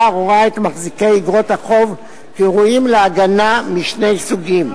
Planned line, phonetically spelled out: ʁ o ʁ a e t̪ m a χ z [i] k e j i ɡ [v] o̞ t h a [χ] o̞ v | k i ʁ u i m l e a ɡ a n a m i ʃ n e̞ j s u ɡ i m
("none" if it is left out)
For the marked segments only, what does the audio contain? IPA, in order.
i, ʁ, χ

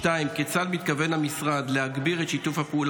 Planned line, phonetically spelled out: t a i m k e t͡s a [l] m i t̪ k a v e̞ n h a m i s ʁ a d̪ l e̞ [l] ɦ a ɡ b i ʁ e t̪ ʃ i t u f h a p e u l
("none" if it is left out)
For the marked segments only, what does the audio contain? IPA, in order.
l, none

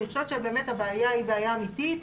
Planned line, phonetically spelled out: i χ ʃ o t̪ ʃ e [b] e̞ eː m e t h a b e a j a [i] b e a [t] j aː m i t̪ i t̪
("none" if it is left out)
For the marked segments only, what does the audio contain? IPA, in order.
b, i, none

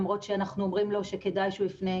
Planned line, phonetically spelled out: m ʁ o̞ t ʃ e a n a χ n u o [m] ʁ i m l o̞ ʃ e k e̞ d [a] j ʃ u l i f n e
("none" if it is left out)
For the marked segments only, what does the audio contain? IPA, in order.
m, a

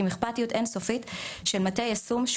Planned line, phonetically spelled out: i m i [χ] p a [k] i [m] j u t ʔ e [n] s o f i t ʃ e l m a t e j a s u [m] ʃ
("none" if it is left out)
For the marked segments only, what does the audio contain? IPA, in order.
χ, t, none, n, m

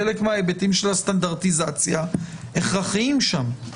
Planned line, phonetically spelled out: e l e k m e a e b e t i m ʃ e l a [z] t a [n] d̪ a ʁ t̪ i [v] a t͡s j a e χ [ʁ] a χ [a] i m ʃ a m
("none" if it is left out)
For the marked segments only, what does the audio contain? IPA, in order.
s, n, z, ʁ, i

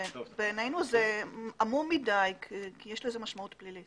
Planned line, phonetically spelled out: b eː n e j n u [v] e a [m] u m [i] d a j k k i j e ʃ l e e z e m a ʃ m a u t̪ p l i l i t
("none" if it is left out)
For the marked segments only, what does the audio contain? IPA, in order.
z, m, i

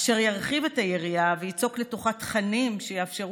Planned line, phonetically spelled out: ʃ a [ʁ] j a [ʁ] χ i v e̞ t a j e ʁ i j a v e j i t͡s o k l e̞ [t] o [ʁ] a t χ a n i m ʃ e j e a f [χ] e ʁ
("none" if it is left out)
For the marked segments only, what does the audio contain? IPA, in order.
ʁ, ʁ, t, χ, ʃ

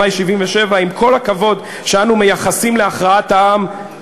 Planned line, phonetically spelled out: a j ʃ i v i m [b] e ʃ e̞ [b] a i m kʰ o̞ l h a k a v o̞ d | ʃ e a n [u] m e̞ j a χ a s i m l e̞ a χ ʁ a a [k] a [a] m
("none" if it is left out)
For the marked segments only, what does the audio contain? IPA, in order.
v, v, u, t, a

